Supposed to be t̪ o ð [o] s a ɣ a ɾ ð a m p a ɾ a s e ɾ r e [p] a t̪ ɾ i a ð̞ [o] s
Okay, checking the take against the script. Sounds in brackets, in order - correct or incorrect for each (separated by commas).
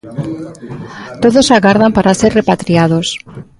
correct, correct, correct